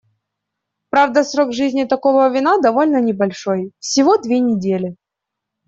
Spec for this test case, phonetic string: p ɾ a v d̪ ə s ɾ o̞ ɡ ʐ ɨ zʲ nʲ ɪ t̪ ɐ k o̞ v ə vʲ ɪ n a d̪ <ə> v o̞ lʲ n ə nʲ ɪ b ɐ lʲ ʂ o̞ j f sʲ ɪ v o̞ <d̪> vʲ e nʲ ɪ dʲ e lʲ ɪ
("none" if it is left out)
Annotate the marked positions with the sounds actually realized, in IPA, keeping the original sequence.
ɐ, d̪

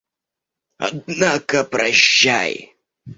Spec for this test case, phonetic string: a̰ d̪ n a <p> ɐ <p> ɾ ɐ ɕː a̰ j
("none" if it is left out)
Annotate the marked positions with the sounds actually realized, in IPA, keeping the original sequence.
k, p

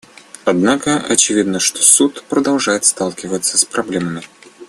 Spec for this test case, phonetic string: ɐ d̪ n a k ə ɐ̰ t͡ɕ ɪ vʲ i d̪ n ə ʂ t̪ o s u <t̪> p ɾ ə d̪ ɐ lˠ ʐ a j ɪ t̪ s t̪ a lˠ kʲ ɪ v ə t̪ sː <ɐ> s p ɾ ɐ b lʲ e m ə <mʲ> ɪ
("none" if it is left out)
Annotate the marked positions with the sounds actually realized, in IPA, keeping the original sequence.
t̪, ə, mʲ

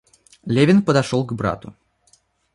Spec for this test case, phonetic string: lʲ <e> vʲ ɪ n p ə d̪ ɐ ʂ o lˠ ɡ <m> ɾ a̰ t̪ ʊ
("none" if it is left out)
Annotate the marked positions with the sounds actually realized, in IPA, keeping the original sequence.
e, b

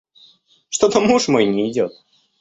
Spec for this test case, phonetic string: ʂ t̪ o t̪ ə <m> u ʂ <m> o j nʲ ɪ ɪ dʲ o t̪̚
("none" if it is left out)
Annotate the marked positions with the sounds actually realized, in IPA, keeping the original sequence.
m, m

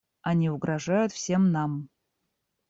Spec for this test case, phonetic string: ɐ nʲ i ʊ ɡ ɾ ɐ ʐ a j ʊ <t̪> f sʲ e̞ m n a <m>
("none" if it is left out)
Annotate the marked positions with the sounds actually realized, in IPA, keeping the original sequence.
t̪, m

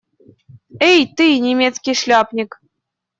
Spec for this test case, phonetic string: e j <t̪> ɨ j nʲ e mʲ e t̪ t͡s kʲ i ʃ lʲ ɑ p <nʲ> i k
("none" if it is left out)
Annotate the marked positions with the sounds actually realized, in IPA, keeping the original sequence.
t̪, nʲ

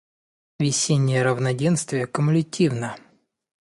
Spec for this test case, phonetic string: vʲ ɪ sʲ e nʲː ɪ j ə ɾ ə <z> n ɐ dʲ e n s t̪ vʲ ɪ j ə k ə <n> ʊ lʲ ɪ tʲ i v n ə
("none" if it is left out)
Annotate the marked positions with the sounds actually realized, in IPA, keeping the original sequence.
v, m

